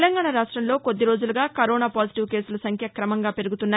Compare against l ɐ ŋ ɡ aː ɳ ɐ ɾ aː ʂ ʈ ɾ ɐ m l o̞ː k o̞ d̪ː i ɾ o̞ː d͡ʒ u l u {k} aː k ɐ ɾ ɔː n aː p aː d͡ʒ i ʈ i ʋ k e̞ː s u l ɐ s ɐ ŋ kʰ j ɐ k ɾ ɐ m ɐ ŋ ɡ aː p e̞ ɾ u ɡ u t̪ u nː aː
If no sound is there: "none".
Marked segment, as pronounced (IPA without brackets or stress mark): ɡ